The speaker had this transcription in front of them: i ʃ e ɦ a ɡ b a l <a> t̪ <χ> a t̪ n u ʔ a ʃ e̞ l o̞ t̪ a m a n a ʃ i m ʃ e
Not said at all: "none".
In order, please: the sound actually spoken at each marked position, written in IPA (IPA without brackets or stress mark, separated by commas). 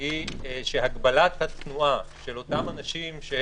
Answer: a, h